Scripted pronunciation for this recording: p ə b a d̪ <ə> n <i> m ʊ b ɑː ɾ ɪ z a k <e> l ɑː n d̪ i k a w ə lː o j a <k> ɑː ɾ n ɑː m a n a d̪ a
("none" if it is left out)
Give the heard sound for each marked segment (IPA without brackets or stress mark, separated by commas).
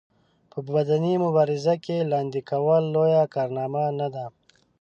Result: a, i, e, k